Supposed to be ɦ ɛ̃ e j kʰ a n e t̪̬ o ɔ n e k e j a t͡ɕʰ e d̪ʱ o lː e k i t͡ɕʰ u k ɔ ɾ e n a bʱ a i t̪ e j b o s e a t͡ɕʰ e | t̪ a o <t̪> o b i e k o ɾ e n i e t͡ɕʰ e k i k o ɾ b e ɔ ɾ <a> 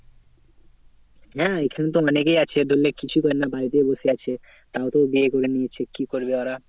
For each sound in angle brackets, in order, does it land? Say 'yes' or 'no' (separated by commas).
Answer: yes, yes